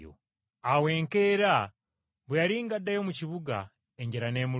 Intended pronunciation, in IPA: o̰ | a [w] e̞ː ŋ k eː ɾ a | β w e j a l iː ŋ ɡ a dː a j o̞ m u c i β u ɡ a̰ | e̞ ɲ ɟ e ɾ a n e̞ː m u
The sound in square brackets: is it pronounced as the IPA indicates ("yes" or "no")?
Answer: yes